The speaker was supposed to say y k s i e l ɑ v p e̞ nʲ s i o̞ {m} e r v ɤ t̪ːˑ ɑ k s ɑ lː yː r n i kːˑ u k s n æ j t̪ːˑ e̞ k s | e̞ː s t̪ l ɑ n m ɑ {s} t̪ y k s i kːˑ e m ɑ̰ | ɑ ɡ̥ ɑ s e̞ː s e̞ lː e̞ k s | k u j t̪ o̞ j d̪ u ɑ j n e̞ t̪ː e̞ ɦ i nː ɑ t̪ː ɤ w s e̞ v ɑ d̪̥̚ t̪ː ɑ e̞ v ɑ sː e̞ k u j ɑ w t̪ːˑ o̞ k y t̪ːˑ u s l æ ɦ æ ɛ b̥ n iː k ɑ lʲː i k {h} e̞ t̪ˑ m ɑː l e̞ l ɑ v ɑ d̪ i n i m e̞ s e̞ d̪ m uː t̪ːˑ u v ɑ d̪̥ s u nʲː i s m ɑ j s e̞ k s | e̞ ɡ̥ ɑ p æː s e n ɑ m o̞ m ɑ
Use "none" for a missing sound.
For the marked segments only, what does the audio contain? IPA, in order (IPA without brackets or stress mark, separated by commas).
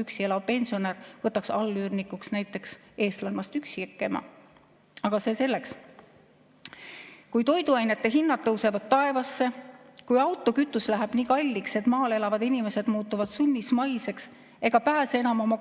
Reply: n, s, s